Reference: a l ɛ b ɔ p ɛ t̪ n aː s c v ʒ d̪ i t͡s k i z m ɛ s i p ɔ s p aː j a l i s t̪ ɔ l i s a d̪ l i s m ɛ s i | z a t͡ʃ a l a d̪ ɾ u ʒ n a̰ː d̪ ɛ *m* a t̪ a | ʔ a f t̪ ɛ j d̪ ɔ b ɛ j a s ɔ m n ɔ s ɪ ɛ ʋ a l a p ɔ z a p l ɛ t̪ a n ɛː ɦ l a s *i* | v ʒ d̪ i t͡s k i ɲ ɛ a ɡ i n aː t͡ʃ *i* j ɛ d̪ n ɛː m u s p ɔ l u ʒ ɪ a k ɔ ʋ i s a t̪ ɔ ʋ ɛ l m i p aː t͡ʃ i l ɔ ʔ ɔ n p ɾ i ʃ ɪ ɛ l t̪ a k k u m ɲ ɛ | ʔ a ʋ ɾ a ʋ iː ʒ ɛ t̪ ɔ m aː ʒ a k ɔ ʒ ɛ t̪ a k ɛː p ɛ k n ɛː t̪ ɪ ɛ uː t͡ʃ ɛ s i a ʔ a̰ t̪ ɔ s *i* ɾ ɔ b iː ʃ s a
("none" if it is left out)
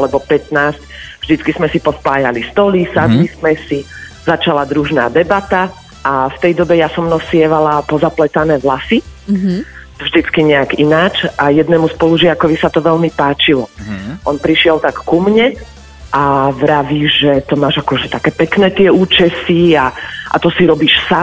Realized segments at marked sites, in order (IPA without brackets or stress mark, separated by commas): b, i, a, i